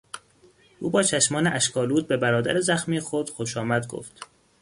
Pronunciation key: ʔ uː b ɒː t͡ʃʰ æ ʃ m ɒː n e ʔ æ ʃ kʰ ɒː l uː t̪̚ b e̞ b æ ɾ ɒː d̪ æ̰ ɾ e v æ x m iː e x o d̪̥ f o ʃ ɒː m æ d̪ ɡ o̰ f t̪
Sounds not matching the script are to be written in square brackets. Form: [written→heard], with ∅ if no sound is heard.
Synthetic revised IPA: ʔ uː b ɒː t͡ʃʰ æ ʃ m ɒː n e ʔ æ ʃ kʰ ɒː l uː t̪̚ b e̞ b æ ɾ ɒː d̪ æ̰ ɾ e [v→z] æ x m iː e x o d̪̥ [f→x] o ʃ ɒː m æ d̪ ɡ o̰ f t̪